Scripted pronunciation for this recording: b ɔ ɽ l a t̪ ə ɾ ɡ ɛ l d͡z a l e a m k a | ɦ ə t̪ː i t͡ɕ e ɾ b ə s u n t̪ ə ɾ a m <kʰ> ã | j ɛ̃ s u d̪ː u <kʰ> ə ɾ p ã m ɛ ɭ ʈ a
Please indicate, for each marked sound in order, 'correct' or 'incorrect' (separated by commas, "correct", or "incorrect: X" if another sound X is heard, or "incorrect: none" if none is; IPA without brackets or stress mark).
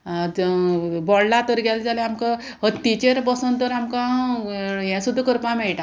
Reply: incorrect: k, incorrect: k